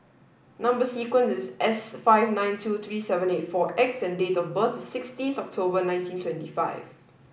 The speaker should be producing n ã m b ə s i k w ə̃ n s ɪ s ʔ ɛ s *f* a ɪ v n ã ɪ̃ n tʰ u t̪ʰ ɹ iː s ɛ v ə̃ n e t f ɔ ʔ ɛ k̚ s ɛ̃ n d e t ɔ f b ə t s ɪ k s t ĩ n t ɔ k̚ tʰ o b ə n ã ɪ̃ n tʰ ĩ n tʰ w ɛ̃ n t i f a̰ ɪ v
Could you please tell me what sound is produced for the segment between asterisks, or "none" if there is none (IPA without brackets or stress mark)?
f